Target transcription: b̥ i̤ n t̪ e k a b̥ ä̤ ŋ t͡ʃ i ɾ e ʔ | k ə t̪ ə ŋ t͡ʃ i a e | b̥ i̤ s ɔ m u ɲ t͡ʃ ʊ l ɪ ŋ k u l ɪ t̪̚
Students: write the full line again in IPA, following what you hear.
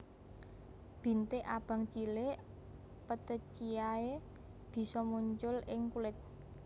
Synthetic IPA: b̥ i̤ n t̪ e ʔ a b̥ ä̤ ŋ t͡ʃ i l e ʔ | p ə t̪ ə t͡ʃ i a e | b̥ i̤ s ɔ m u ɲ t͡ʃ ʊ l ɪ ŋ k u l ɪ t̪̚